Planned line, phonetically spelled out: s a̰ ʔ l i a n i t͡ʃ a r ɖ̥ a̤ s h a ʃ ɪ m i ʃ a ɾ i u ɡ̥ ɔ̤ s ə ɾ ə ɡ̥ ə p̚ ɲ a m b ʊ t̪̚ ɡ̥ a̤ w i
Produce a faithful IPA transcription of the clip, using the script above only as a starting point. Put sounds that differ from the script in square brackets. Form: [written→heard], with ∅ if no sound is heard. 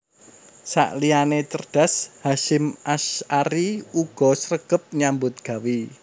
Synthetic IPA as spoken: s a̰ ʔ l i a n [i→e] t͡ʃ [a→ə] r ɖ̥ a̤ s h a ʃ ɪ m [i→a] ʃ a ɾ i u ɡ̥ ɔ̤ s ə ɾ ə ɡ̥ ə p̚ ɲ a m b ʊ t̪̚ ɡ̥ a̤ w i